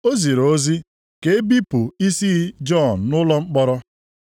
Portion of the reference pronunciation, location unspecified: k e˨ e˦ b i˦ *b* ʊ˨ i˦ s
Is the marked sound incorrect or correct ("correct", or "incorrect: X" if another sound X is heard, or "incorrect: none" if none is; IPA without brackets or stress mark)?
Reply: incorrect: p